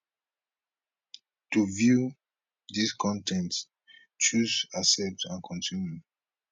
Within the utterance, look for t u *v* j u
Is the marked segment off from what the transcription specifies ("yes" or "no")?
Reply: no